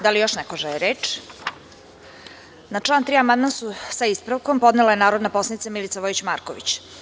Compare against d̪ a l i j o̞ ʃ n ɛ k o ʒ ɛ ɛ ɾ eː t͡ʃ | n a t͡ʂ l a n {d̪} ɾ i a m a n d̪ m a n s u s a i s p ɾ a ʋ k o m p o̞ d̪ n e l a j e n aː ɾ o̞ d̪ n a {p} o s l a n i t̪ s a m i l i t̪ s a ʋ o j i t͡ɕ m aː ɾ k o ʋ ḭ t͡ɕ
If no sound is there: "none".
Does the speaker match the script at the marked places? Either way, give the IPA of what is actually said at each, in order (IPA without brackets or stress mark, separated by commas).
t̪, p